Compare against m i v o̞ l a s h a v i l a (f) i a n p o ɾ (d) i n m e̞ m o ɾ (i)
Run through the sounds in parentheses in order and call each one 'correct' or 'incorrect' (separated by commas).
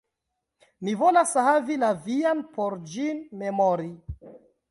incorrect, incorrect, correct